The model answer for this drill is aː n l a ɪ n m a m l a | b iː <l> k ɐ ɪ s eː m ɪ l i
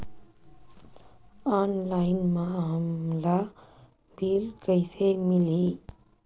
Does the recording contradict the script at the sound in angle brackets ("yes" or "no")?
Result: no